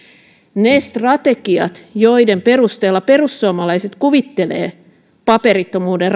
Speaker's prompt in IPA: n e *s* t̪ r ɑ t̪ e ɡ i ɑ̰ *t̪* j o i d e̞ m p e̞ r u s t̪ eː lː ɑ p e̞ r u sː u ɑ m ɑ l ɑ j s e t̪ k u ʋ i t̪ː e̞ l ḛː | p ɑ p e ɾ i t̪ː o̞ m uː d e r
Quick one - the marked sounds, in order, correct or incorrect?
correct, correct

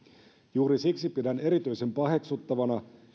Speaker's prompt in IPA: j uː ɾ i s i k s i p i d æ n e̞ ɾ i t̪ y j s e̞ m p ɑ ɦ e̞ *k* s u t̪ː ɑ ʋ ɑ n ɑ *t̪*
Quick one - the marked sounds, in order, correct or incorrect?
correct, incorrect: none

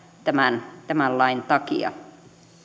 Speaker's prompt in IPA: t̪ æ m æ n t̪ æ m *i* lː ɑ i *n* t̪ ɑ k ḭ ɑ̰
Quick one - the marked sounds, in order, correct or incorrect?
incorrect: æ, correct

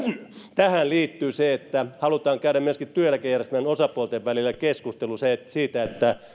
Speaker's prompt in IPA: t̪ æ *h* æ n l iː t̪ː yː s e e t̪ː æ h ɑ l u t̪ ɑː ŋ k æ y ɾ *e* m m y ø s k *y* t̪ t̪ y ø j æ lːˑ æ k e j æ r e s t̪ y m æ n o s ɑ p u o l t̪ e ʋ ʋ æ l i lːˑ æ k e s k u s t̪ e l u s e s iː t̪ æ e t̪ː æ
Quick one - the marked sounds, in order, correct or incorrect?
correct, incorrect: æ, incorrect: i

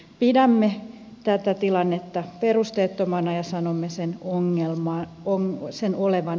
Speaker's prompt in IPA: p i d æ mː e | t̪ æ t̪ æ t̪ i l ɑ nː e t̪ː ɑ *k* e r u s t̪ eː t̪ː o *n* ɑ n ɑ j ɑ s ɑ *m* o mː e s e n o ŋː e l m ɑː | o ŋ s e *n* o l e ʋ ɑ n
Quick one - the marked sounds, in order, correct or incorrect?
incorrect: p, incorrect: m, incorrect: n, correct

